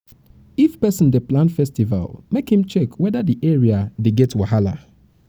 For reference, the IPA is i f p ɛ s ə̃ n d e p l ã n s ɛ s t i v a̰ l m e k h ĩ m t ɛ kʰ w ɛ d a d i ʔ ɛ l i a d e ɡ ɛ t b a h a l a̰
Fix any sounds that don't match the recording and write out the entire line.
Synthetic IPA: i f p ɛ s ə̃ n d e p l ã n f ɛ s t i v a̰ l m e k h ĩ m t͡ʃ ɛ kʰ w ɛ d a d i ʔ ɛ ɹ i a d e ɡ ɛ t w a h a l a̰